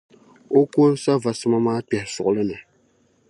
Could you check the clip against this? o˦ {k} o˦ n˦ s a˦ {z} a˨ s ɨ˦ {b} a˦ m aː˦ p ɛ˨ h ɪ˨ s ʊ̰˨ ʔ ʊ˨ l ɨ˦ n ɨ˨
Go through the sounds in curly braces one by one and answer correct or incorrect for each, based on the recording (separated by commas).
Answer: correct, incorrect, incorrect